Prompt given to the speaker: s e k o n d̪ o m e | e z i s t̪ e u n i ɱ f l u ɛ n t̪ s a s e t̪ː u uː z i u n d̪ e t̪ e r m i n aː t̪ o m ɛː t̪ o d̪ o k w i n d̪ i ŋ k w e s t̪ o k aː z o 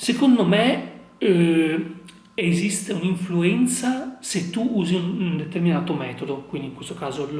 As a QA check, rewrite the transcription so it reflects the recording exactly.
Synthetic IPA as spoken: s e k o n d̪ o m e | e z i s t̪ e u n i ɱ f l u ɛ n t̪ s a s e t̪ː u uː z i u n d̪ e t̪ e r m i n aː t̪ o m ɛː t̪ o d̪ o k w i n d̪ i ŋ k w e s t̪ o k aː z o

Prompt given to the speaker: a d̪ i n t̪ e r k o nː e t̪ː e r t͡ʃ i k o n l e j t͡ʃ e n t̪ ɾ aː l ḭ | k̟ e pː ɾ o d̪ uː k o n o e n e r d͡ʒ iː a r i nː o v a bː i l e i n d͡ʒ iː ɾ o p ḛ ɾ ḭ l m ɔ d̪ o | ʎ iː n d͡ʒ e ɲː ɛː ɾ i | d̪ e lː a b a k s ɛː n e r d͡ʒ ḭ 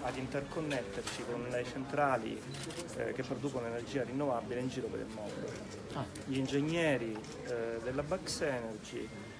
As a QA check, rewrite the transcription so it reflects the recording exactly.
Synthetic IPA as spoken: a d̪ i n t̪ e r k o nː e t̪ː e r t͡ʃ i k o n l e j t͡ʃ e n t̪ ɾ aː l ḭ | k̟ e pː ɾ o d̪ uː k o n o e n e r d͡ʒ iː a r i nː o v a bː i l e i n d͡ʒ iː ɾ o p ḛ ɾ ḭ l m ɔ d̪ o | ʎ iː n d͡ʒ e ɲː ɛː ɾ i | d̪ e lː a b a k s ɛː n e r d͡ʒ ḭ

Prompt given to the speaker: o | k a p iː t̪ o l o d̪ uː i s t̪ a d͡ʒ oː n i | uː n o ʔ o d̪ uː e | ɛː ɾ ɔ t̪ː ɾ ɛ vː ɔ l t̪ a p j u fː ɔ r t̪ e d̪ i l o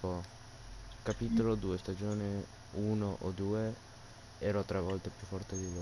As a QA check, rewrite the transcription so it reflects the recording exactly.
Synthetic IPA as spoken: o | k a p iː t̪ o l o d̪ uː e s t̪ a d͡ʒ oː n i | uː n o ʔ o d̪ uː e | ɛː ɾ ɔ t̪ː ɾ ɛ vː ɔ l t̪ e p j u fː ɔ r t̪ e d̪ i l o

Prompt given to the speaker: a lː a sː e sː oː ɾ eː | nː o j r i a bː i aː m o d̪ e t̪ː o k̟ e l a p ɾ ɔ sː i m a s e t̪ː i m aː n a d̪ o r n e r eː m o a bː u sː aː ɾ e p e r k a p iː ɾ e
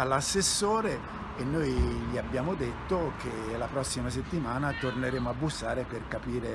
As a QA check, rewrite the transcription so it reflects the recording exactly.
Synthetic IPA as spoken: a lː a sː e sː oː ɾ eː | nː o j ʎ i a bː j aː m o d̪ e t̪ː o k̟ e l a p ɾ ɔ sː i m a s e t̪ː i m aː n a t̪ o r n e ɾ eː m o a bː u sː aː ɾ e p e r k a p iː ɾ e

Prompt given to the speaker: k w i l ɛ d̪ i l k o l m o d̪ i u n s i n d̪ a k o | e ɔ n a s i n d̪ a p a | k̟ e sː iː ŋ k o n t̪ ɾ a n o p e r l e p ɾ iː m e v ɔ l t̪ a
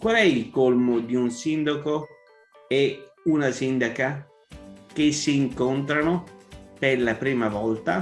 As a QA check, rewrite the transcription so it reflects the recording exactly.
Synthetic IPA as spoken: k w a l ɛ i l k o l m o d̪ i u n s i n d̪ a k o | e u n a s i n d̪ a k a | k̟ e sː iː ŋ k o n t̪ ɾ a n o p e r l a p ɾ iː m a v ɔ l t̪ a

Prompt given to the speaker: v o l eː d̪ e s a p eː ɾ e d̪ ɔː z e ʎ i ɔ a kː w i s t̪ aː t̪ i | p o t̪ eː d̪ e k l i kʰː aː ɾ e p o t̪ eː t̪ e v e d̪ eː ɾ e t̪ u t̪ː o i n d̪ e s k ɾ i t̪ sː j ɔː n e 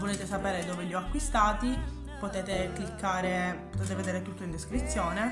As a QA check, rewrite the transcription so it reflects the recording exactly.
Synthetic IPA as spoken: v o l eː t̪ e s a p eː ɾ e d̪ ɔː v e ʎ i ɔ a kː w i s t̪ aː t̪ i | p o t̪ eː t̪ e k l i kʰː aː ɾ e p o t̪ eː t̪ e v e d̪ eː ɾ e t̪ u t̪ː o i n d̪ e s k ɾ i t̪ sː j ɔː n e

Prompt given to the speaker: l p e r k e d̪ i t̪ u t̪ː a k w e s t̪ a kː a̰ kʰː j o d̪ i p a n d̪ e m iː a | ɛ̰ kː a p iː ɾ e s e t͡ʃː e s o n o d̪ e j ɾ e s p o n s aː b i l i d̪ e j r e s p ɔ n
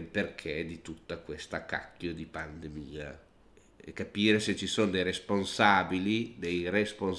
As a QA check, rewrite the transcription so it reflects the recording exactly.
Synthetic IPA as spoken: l p e r kʰ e d̪ i t̪ u t̪ː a k w e s t̪ a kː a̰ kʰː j o d̪ i p a n d̪ e m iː a | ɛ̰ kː a p iː ɾ e s e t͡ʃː i s o n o d̪ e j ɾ e s p o n s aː b i l i d̪ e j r e s p o n

